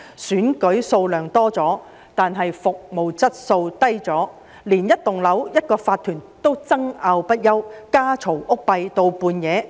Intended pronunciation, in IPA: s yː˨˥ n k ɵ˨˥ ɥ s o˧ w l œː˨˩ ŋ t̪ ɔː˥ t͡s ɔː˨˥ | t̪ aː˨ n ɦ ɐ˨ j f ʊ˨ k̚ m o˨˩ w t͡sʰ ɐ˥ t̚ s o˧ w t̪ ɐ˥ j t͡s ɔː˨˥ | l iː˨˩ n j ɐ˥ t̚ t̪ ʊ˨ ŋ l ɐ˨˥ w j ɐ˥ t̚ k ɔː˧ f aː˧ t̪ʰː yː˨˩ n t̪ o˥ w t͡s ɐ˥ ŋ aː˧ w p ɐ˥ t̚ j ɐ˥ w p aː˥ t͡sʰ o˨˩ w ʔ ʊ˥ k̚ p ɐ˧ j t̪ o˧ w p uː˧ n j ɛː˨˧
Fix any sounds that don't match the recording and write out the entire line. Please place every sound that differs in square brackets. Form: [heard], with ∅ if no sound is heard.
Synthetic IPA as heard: s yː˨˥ n k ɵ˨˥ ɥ s o˧ w l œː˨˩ ŋ t̪ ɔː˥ t͡s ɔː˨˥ | t̪ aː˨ n ɦ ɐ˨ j f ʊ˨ k̚ m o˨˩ w [t͡s] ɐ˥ t̚ s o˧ w t̪ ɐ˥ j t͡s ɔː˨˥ | l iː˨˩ n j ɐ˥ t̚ t̪ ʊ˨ ŋ l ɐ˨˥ w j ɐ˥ t̚ k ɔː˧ f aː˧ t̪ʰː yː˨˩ n t̪ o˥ w t͡s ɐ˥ ŋ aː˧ w p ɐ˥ t̚ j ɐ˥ w [k] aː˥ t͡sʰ o˨˩ w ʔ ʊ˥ k̚ p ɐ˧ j t̪ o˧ w p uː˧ n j ɛː˨˧